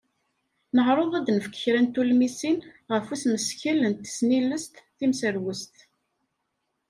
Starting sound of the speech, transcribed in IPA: n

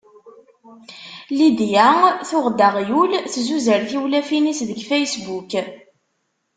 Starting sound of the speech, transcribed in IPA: l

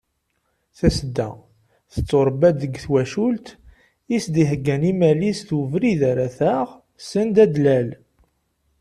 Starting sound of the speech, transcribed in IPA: θ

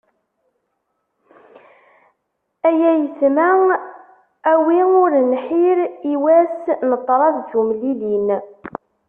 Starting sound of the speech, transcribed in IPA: æ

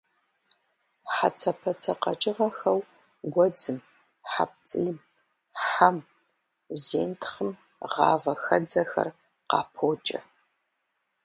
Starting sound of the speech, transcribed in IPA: ħ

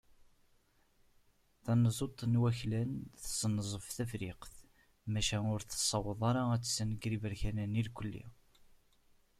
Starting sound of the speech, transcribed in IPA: θ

